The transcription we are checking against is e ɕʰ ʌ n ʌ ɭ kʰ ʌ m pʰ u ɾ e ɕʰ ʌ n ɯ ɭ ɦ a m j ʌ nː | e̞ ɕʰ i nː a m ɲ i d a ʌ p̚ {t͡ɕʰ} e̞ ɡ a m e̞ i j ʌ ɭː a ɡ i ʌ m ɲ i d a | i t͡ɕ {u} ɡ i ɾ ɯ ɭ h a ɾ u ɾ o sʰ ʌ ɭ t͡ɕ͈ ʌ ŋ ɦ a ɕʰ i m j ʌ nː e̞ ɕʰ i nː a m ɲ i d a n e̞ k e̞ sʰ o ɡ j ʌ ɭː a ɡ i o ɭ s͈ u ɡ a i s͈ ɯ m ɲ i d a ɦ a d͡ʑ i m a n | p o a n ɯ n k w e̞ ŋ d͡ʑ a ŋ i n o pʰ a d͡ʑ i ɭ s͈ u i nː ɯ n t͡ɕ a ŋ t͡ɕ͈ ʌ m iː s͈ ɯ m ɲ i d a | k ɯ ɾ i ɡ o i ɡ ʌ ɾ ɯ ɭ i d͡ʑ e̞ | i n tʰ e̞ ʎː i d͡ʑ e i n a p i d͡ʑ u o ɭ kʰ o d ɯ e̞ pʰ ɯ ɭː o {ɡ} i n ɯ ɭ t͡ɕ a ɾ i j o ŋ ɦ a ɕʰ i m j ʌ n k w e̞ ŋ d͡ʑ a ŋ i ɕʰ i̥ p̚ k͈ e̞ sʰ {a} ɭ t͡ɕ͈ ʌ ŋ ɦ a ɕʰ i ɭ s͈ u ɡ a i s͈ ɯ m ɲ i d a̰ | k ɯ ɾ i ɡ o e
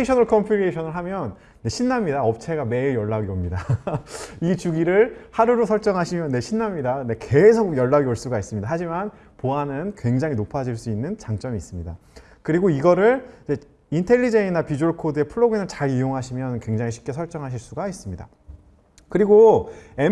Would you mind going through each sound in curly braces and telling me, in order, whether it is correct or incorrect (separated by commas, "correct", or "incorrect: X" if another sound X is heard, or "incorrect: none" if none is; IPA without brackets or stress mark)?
correct, correct, correct, incorrect: ʌ